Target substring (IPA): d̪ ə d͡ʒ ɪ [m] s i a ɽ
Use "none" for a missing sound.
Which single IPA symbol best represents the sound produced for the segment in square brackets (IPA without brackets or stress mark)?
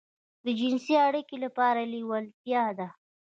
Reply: n